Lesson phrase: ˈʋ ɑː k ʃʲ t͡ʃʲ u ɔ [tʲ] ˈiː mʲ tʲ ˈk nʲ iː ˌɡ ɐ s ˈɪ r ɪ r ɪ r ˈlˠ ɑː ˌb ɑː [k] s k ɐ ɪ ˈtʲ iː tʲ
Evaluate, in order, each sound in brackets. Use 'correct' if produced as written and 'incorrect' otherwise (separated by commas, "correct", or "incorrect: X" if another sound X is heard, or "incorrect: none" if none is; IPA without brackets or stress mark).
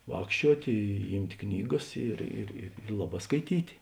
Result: correct, incorrect: none